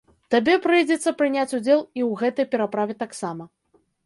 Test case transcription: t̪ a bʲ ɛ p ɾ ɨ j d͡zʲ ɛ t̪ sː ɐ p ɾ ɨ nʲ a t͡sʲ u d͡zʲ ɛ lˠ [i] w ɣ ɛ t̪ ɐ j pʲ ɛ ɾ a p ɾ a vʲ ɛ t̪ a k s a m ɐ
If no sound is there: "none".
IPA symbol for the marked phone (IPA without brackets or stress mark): i